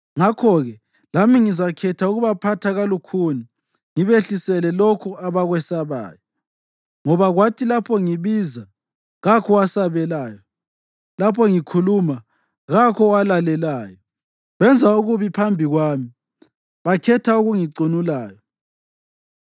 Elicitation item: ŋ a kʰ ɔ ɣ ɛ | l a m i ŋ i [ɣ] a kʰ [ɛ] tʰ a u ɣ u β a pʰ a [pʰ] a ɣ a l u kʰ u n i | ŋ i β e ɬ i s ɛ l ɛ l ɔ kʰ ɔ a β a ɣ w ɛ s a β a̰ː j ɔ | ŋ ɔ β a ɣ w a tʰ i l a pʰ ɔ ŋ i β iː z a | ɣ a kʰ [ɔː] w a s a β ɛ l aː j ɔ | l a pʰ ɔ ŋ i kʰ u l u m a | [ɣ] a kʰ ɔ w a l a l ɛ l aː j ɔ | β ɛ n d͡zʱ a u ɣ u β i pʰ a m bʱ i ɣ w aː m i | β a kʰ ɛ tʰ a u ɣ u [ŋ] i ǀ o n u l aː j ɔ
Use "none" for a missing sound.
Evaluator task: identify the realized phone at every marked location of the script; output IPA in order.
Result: z, ɛ, tʰ, ɔ, ɣ, ŋ

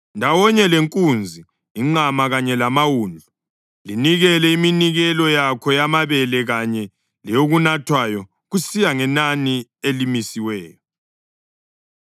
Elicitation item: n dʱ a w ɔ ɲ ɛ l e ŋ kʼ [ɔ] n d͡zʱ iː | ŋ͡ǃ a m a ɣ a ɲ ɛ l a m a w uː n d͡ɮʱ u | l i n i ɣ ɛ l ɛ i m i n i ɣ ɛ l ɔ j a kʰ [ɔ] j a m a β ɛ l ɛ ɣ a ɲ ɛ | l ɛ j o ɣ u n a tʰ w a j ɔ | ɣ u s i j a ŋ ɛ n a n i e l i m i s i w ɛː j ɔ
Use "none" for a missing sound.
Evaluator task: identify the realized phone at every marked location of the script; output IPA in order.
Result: u, ɔ

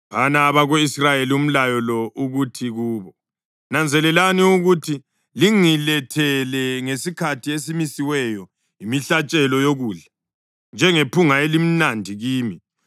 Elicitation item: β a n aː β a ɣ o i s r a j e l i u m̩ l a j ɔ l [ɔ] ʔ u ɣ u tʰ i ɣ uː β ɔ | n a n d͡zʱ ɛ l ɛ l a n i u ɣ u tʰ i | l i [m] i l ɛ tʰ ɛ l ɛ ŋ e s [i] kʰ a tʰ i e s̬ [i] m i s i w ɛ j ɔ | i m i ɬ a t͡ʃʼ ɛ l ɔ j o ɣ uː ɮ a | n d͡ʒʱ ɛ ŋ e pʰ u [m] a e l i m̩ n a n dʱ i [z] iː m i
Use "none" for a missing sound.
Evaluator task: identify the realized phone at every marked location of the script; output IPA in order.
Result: ɔ, ŋ, i, i, ŋ, ɣ

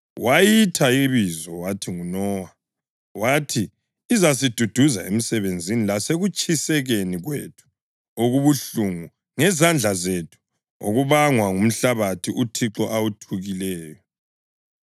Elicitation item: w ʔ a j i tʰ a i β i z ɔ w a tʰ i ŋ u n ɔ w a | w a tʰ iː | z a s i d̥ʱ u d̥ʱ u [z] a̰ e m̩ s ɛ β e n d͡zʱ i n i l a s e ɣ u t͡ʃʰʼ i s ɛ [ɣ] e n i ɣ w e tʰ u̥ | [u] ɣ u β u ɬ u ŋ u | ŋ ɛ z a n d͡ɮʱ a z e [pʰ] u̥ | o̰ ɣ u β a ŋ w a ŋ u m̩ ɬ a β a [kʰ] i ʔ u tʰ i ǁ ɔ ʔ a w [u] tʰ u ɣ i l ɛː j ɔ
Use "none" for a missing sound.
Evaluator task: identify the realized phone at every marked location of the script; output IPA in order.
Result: z, ɣ, o, tʰ, tʰ, u

